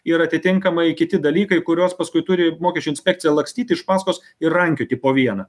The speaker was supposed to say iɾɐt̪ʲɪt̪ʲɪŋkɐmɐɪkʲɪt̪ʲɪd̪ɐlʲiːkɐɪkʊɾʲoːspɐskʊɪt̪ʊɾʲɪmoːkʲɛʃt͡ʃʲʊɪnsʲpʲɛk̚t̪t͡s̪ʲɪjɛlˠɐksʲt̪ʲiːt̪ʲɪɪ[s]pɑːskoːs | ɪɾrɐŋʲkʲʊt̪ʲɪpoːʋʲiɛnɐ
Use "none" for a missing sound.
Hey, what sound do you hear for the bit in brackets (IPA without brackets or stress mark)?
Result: ʃ